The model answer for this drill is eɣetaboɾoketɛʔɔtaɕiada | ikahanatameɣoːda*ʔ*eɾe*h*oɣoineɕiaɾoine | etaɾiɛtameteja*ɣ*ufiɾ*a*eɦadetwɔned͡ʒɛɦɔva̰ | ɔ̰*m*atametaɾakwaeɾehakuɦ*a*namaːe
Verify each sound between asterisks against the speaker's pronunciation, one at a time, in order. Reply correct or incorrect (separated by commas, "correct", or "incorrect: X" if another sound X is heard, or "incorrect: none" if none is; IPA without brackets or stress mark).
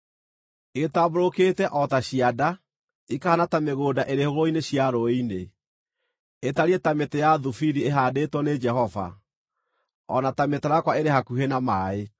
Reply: correct, correct, incorrect: ð, incorrect: i, incorrect: n, incorrect: e